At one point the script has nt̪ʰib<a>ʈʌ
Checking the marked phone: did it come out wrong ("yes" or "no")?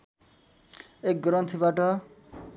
no